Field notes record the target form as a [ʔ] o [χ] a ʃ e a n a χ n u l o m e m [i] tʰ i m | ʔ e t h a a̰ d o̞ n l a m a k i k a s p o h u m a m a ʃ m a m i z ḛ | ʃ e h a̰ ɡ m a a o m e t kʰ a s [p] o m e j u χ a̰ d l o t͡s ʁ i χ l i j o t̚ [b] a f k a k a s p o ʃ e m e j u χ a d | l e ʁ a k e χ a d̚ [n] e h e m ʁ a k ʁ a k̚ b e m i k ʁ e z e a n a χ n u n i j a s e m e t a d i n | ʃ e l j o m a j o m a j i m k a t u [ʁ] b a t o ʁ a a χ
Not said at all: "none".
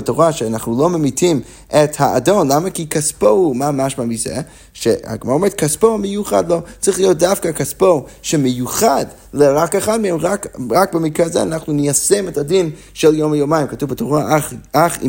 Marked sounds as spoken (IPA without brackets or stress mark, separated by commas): t, ʁ, i, p, d, m, v